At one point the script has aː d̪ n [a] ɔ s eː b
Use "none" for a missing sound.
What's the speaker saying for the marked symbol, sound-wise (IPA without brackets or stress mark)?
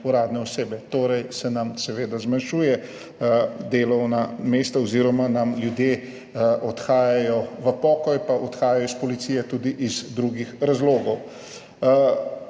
ɛ